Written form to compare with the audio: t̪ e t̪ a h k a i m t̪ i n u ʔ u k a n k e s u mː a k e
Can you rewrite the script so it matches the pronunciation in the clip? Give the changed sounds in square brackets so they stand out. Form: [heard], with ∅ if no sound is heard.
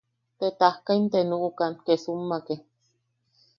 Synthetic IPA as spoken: t̪ e t̪ a h k a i [n] t̪ [e] n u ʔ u k a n k e s u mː a k e